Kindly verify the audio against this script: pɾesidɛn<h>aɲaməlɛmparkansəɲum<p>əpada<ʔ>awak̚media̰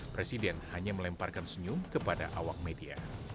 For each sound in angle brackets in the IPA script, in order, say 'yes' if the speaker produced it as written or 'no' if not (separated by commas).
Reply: yes, no, yes